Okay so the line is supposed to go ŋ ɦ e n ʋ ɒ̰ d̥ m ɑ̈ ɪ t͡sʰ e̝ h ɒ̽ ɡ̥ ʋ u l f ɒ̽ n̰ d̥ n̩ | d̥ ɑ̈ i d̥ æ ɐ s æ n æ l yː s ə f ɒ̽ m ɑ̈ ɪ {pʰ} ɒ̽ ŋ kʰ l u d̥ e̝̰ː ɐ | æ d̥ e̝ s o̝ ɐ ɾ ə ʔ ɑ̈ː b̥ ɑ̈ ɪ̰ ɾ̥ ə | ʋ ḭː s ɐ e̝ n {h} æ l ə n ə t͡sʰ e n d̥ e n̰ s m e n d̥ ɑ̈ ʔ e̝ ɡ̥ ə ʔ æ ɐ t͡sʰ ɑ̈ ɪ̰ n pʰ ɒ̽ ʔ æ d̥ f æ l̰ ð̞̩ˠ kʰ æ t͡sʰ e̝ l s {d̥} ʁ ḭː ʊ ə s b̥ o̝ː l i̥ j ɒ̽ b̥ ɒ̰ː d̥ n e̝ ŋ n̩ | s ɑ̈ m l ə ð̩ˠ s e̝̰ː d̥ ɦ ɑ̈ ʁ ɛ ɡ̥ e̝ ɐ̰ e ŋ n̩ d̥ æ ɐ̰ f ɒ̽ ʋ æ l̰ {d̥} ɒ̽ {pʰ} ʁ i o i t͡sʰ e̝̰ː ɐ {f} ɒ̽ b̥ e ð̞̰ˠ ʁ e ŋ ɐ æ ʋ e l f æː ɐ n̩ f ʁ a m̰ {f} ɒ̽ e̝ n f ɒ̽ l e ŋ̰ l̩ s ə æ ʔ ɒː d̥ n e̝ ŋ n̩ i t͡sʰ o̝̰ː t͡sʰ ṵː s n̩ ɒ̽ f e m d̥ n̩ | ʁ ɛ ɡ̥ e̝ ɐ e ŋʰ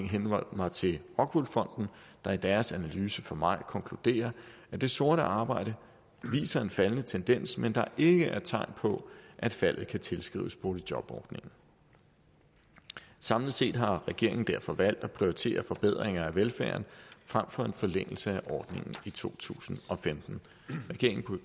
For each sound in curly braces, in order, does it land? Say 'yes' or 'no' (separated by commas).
no, no, no, yes, yes, yes, yes